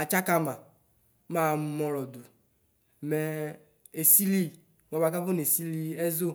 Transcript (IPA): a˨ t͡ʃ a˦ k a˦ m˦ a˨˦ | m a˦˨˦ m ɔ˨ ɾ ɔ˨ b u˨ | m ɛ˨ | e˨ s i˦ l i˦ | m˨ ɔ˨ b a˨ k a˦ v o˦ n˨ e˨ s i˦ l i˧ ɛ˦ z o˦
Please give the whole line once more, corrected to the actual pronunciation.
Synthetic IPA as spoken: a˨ t͡ʃ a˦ k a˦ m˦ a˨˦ | m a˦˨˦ m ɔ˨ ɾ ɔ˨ d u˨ | m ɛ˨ | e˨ s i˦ l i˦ | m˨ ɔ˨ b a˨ k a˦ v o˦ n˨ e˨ s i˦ l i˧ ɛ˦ z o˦